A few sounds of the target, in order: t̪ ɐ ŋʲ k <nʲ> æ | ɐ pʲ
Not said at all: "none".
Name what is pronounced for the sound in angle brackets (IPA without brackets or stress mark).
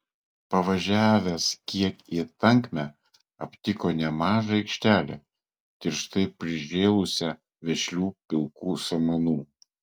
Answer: mʲ